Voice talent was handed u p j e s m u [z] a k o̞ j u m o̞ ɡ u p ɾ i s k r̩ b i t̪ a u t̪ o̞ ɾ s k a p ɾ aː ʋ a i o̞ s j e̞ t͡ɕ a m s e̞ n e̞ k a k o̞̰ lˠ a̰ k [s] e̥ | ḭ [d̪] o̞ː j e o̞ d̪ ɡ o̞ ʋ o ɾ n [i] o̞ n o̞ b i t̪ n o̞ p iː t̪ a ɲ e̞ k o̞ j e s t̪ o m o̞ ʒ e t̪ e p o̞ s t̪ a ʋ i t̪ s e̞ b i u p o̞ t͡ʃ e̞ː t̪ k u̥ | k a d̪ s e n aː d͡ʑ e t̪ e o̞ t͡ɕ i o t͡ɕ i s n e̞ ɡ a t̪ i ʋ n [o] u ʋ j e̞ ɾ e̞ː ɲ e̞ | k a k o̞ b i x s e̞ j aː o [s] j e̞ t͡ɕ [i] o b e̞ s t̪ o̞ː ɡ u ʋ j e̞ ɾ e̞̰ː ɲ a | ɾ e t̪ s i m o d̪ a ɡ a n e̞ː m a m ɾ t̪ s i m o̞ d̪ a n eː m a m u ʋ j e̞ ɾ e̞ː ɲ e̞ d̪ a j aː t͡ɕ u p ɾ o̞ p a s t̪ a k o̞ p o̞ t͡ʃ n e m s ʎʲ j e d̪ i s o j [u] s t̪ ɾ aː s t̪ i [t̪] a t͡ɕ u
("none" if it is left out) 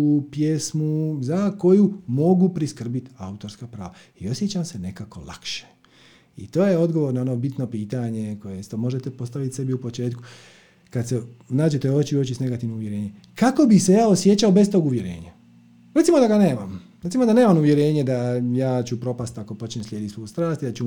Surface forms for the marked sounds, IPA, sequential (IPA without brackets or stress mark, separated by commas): z, ʃ, t̪, a, o, s, a, u, d̪